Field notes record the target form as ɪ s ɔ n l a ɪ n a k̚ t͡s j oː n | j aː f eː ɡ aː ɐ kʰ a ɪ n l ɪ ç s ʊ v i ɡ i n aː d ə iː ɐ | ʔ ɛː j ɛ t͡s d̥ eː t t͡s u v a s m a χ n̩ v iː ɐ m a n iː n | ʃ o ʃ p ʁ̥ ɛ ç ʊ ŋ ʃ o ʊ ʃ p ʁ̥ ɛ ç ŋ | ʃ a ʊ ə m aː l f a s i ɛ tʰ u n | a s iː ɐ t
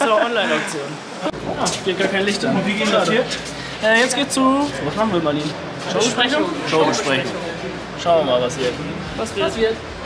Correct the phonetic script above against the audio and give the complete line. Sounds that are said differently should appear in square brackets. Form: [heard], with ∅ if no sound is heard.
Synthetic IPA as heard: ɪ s ɔ n l a ɪ n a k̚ t͡s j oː n | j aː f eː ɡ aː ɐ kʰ a ɪ n l ɪ ç [t] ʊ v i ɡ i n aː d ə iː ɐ | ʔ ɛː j ɛ t͡s [ɡ̥] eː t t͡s u v a s m a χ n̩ v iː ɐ m a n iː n | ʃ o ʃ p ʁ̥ ɛ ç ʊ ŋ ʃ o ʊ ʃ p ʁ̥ ɛ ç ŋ | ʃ a ʊ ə m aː l [v] a s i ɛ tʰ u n | a s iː ɐ t